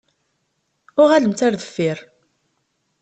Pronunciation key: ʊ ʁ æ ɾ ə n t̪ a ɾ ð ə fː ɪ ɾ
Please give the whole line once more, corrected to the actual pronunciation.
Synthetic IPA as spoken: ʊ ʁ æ l ə m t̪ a ɾ ð ə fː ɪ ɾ